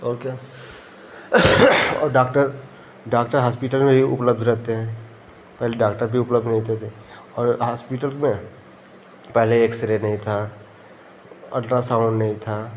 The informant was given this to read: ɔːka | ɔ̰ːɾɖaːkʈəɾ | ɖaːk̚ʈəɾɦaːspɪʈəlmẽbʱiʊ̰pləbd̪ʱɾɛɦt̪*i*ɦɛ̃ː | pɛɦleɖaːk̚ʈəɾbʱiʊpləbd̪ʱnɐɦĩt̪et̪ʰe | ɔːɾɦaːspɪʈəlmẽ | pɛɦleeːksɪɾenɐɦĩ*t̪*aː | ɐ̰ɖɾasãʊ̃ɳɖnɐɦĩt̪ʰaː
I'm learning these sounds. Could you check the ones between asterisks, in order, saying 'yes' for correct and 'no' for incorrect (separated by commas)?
no, no